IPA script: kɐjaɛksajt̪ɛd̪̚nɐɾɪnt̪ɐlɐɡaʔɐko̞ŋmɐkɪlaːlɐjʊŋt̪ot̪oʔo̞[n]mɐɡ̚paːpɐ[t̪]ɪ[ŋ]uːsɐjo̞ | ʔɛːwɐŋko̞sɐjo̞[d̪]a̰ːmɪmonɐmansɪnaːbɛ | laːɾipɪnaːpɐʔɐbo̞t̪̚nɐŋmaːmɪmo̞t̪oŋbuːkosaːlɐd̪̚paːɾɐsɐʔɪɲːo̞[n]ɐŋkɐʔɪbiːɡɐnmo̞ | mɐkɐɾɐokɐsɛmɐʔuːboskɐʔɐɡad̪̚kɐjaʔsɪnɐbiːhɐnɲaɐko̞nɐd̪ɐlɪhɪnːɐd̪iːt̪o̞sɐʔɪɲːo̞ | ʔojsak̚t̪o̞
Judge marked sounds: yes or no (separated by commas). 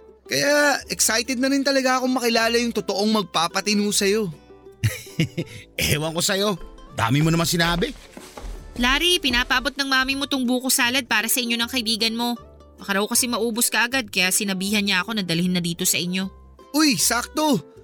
no, yes, no, yes, yes